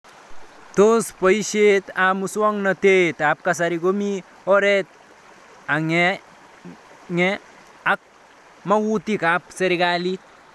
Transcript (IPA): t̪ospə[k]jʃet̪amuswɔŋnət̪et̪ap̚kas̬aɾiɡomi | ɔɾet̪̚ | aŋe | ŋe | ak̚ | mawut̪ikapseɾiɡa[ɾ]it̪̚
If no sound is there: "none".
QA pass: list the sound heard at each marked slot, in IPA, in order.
none, l

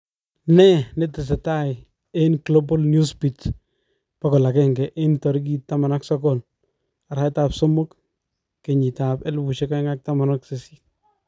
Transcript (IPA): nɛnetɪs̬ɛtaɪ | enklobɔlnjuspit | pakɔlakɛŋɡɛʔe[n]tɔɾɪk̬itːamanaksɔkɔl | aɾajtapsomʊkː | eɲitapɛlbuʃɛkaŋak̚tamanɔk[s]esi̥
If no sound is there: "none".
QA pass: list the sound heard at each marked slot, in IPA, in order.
n, s

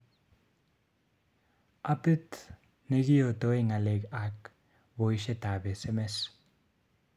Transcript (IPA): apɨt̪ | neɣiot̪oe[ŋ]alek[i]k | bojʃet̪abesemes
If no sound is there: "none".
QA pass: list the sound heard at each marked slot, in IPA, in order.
ŋ, a

